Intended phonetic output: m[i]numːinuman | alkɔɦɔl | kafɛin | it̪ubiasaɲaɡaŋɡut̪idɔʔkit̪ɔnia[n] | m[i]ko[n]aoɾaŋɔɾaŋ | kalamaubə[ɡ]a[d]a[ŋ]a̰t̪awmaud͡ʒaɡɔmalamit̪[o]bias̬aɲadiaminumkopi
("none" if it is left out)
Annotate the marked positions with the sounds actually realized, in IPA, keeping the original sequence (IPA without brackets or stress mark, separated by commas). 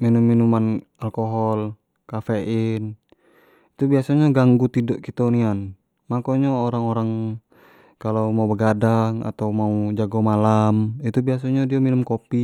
i, n, a, ɲ, ɡ, d, ŋ, u